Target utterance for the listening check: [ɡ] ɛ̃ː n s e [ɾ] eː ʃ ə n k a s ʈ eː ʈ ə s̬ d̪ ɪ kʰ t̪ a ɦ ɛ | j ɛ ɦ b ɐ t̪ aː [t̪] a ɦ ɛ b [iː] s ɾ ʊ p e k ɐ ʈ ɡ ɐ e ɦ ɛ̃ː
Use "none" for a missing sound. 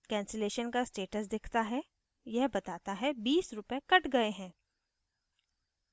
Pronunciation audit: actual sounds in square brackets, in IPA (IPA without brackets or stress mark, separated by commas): k, l, t̪, iː